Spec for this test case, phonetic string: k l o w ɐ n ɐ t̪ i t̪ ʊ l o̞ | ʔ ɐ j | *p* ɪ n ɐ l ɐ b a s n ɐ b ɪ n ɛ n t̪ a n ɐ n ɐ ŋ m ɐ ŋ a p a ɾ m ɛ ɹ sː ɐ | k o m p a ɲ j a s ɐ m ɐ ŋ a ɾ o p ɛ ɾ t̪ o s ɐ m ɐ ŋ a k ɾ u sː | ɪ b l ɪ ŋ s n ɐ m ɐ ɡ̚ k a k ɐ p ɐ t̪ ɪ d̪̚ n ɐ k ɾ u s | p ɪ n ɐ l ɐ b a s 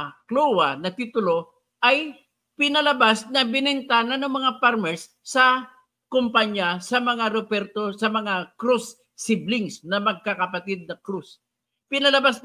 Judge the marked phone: correct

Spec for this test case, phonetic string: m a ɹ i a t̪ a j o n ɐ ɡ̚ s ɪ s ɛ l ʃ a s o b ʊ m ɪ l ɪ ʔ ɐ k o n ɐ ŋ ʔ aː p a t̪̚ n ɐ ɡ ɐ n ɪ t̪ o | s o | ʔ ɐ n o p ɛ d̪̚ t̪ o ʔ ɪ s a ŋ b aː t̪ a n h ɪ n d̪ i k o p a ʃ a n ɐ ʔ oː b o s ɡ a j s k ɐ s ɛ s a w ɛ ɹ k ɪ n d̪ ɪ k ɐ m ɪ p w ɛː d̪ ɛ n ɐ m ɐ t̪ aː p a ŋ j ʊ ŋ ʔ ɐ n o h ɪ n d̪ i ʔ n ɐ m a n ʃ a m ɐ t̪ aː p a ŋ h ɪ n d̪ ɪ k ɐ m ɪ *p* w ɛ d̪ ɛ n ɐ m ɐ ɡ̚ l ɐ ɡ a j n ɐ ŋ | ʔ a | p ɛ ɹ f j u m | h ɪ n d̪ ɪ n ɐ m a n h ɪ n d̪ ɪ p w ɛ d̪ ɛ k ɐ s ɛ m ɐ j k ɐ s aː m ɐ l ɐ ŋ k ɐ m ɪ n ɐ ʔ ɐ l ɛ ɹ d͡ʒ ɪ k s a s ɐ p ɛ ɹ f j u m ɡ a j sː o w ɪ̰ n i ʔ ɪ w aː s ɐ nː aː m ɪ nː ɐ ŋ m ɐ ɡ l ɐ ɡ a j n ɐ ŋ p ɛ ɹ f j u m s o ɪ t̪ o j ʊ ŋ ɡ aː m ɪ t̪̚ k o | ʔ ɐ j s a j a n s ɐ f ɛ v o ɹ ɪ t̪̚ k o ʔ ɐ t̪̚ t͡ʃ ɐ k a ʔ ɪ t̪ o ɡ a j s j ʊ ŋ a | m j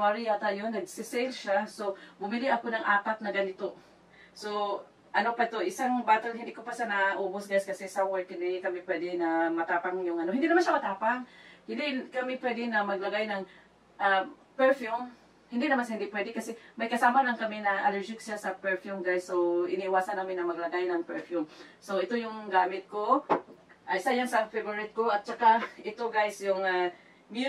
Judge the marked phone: correct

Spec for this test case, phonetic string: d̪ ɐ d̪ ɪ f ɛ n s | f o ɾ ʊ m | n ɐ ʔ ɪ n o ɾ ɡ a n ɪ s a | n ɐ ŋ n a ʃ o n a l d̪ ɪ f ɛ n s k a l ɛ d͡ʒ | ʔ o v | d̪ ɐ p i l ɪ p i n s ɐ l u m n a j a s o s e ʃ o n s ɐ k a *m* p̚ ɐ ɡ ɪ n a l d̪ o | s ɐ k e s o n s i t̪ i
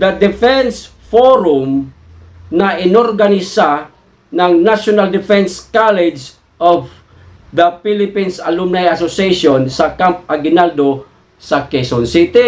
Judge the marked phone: correct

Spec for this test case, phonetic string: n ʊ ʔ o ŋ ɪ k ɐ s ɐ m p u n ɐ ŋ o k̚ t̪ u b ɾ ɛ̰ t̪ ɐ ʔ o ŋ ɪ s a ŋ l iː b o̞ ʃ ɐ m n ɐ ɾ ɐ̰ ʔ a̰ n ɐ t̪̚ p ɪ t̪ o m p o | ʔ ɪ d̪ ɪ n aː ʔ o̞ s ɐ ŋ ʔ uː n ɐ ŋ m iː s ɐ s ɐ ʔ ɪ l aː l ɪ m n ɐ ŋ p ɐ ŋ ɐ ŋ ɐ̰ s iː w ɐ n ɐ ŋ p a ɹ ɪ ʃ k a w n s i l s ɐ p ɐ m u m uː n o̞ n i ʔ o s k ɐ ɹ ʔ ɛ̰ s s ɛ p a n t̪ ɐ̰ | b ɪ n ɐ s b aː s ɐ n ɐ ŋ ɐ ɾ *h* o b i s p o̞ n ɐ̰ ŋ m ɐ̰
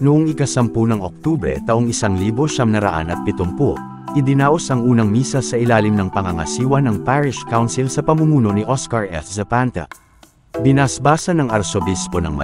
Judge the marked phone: incorrect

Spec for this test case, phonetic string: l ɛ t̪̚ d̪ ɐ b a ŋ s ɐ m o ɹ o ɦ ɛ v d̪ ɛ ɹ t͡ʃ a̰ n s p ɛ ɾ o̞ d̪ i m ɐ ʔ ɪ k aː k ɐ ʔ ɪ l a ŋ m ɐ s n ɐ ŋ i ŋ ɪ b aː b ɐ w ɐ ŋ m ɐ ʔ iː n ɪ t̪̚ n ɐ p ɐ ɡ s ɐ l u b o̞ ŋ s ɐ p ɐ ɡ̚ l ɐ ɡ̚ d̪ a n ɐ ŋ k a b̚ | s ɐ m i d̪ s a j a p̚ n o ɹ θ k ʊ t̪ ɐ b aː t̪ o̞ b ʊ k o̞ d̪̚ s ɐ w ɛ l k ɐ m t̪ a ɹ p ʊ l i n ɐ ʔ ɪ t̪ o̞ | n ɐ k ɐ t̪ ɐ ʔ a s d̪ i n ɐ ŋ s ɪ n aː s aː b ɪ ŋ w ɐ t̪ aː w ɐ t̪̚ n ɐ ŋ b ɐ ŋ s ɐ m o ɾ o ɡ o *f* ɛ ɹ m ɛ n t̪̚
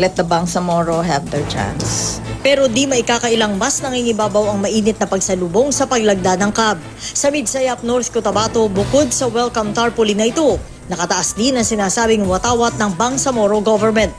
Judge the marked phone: incorrect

